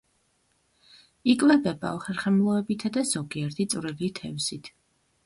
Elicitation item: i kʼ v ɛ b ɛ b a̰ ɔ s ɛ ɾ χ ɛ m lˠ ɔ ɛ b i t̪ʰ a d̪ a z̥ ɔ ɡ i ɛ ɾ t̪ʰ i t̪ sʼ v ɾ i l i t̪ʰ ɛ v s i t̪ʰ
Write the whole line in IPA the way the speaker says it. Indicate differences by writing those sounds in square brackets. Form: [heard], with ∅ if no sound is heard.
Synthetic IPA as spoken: i kʼ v ɛ b ɛ b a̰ ɔ [χ] ɛ ɾ χ ɛ m lˠ ɔ ɛ b i t̪ʰ a d̪ a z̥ ɔ ɡ i ɛ ɾ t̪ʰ i t̪ sʼ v ɾ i l i t̪ʰ ɛ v s i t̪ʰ